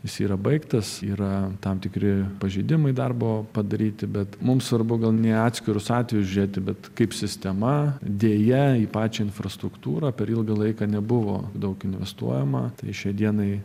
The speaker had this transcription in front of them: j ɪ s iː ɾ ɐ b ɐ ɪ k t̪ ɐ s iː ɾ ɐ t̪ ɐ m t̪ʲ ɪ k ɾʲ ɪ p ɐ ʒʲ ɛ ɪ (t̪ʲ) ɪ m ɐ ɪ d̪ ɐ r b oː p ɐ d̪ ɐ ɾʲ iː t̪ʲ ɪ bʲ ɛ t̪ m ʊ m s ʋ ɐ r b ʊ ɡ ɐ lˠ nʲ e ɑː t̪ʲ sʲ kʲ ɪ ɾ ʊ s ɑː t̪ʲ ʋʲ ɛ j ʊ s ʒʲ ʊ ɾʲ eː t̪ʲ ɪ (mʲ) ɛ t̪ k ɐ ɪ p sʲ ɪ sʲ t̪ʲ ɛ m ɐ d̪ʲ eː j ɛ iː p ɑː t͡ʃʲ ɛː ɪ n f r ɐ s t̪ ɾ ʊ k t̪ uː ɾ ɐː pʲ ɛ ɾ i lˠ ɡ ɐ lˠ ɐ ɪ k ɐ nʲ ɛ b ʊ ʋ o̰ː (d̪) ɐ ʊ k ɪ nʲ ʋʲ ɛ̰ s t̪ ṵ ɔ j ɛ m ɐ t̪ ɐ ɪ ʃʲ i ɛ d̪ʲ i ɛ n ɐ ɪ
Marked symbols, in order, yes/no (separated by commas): no, no, yes